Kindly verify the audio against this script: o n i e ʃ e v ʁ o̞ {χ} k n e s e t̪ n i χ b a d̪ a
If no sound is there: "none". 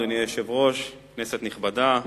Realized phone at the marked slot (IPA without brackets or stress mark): ʃ